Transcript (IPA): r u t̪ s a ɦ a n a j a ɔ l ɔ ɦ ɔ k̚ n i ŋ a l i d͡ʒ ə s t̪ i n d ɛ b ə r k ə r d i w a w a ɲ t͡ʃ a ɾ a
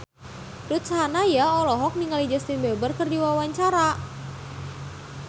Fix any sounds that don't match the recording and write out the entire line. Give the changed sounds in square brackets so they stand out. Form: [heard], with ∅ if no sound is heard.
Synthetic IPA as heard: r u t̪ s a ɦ a n a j a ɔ l ɔ ɦ ɔ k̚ n i ŋ a l i d͡ʒ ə s t̪ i n [b] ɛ b ə r k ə r d i w a w a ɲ t͡ʃ a ɾ a